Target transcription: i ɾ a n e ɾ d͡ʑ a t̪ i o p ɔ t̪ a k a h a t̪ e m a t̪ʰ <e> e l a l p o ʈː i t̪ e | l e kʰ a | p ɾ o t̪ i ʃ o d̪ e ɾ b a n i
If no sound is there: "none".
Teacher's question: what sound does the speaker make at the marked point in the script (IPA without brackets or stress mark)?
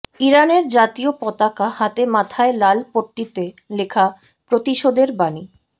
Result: a